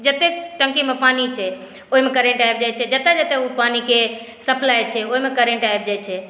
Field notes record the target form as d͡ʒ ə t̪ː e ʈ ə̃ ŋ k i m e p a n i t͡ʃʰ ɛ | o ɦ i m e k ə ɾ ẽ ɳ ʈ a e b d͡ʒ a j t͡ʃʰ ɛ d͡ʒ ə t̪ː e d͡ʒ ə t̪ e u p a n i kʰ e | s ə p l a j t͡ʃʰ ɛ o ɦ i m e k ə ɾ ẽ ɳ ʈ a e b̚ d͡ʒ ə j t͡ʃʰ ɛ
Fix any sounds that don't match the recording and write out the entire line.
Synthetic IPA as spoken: d͡ʒ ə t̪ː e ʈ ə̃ ŋ k i m e p a n i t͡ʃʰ ɛ | o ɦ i m e k ə ɾ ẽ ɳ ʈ a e b d͡ʒ a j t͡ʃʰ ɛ d͡ʒ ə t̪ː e d͡ʒ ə t̪ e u p a n i k e | s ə p l a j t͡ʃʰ ɛ o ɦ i m e k ə ɾ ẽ ɳ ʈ a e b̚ d͡ʒ a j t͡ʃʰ ɛ